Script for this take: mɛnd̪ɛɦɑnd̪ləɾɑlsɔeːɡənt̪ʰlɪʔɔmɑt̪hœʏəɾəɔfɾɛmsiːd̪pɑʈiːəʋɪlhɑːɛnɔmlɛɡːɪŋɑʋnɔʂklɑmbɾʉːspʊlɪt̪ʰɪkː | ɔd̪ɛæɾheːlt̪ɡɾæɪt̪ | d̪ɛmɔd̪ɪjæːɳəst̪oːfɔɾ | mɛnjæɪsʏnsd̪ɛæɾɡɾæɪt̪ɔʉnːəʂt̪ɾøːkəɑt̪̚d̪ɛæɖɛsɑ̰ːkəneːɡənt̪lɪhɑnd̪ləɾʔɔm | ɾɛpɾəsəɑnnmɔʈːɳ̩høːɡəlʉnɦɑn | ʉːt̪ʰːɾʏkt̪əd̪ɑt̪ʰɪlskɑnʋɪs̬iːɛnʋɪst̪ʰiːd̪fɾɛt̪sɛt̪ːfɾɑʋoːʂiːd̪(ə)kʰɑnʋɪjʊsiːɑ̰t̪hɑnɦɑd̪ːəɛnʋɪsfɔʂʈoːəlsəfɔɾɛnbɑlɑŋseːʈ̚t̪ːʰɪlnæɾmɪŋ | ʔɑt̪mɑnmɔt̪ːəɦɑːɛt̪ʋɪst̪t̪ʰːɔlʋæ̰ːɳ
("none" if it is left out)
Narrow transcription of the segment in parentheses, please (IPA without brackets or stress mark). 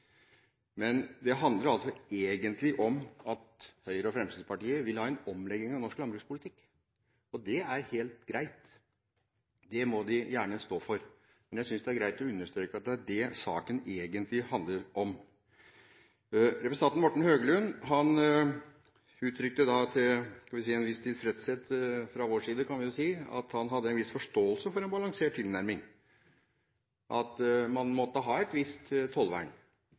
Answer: ə